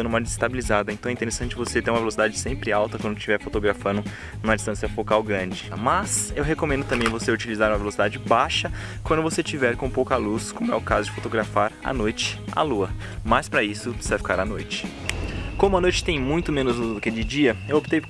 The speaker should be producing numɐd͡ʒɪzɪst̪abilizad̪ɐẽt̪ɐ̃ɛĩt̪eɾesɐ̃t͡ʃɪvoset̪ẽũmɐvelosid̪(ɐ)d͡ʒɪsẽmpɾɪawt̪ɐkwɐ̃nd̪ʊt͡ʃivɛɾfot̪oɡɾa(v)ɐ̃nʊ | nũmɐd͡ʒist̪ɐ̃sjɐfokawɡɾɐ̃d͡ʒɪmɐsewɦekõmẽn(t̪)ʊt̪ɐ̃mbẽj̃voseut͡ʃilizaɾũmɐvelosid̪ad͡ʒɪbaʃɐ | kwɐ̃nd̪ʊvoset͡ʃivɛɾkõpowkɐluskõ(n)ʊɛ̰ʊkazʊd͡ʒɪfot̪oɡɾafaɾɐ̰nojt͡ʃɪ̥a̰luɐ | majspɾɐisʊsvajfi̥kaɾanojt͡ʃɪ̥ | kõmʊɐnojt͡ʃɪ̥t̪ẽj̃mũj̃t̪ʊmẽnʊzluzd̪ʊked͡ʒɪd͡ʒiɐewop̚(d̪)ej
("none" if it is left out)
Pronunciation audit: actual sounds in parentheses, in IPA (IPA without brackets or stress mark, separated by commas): a, f, d̪, m, t̪